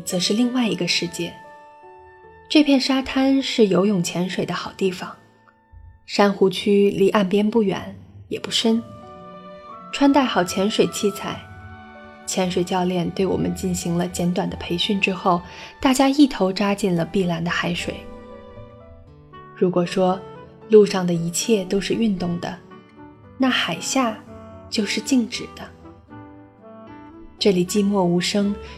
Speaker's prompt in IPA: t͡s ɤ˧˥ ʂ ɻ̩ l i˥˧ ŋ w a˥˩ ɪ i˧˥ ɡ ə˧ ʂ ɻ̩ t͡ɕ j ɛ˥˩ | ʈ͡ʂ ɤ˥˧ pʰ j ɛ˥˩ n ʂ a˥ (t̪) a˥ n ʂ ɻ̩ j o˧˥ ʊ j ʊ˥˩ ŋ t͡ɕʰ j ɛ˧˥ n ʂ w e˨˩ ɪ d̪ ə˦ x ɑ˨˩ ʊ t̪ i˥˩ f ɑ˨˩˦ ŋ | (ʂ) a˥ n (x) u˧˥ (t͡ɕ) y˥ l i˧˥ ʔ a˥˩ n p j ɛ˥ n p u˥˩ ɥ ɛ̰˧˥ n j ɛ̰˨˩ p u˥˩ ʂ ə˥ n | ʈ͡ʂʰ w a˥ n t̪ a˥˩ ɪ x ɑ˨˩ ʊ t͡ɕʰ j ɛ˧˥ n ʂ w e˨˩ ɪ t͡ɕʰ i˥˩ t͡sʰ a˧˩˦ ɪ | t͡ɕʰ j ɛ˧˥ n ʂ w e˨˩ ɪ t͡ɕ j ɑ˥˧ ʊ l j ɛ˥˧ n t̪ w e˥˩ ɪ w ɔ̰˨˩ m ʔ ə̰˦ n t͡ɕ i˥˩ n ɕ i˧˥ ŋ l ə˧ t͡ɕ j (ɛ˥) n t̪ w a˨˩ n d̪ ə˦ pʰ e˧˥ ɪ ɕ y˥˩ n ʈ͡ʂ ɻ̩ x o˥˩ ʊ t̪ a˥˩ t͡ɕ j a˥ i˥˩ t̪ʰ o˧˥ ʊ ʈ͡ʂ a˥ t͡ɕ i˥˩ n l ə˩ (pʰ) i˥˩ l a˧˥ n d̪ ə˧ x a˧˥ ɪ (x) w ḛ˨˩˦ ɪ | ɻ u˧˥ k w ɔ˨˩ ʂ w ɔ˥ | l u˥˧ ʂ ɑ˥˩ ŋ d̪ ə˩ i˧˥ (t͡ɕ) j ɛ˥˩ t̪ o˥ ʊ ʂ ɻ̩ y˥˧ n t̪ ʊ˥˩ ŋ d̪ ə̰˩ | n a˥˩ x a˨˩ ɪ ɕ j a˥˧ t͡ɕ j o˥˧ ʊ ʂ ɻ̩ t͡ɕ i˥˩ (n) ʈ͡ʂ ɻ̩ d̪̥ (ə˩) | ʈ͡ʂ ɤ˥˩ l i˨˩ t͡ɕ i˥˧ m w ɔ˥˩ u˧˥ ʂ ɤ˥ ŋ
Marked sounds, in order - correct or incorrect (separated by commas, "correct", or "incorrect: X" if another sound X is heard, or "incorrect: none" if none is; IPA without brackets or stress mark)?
incorrect: t̪ʰ, correct, correct, incorrect: t͡ɕʰ, incorrect: ɛ˧˥, incorrect: p, incorrect: ʂ, incorrect: t͡ɕʰ, incorrect: ŋ, incorrect: ə˦